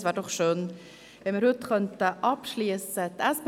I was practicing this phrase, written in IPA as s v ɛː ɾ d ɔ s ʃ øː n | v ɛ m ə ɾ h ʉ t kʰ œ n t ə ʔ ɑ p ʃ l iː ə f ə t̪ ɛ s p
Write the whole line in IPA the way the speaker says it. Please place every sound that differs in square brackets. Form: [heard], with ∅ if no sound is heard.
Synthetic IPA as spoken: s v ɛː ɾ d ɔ [χ] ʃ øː n | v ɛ m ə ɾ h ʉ t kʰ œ n t ə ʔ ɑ p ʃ l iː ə [s] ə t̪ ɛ s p